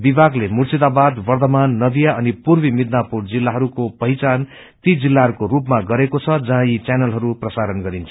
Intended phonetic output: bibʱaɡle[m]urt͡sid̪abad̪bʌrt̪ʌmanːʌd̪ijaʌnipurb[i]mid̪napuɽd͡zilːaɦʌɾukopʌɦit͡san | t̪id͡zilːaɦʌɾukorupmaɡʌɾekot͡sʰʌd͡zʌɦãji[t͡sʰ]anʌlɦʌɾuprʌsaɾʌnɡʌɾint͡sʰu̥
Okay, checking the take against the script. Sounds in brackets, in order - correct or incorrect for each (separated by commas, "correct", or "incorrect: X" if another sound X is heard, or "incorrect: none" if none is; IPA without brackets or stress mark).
correct, correct, incorrect: t͡s